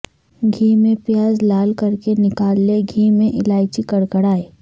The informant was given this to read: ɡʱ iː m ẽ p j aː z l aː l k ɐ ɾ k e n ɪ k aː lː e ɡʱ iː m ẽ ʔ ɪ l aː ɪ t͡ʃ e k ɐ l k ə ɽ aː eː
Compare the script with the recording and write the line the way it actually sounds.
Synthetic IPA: ɡʱ iː m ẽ p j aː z l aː l k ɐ ɾ k e n ɪ k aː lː e ɡʱ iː m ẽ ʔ ɪ l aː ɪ t͡ʃ i k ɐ ɽ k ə ɽ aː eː